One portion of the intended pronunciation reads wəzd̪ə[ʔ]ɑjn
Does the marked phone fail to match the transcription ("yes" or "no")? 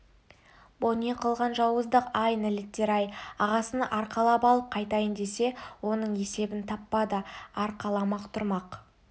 yes